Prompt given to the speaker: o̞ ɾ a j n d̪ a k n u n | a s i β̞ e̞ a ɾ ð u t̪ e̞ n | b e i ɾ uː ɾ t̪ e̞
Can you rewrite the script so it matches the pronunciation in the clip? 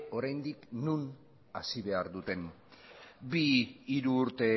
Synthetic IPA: o̞ ɾ a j n d̪ i k n u n | a s i β̞ e̞ a ɾ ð u t̪ e̞ n | b i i ɾ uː ɾ t̪ e̞